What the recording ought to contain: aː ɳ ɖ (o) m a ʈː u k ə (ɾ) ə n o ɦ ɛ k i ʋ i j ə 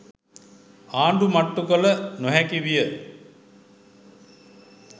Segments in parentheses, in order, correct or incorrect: incorrect: u, incorrect: l

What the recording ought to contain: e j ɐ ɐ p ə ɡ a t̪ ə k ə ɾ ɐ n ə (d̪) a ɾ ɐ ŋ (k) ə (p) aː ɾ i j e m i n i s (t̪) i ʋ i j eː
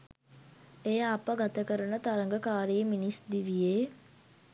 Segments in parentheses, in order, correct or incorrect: incorrect: t̪, incorrect: ɡ, incorrect: k, incorrect: d̪

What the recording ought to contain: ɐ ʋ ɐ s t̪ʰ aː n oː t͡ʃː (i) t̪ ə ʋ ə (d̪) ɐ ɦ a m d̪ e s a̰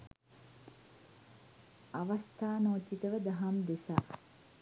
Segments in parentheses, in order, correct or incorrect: correct, correct

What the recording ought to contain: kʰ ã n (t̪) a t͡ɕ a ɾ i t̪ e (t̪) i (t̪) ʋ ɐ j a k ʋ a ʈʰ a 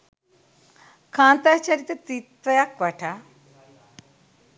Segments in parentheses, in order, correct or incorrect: correct, correct, correct

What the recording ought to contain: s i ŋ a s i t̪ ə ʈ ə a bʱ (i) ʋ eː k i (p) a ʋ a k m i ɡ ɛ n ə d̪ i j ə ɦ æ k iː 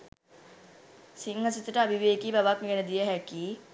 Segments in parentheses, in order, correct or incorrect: correct, incorrect: b

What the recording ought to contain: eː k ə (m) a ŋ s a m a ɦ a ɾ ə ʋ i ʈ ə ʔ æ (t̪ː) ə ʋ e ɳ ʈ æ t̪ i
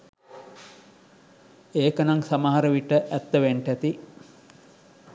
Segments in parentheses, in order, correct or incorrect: incorrect: n, correct

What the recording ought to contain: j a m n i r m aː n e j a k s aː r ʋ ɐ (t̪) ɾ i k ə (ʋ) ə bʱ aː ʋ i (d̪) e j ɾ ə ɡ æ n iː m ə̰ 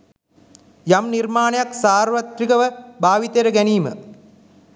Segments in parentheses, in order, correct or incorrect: correct, correct, incorrect: t̪

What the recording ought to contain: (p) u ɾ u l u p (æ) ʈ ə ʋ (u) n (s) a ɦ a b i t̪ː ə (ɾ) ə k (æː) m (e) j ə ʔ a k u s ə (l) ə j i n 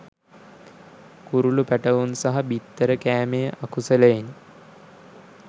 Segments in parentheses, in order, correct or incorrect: incorrect: k, correct, correct, correct, correct, correct, correct, correct

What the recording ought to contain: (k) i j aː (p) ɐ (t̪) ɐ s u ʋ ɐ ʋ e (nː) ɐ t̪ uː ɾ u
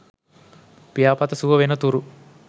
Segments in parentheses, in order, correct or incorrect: incorrect: p, correct, correct, incorrect: n

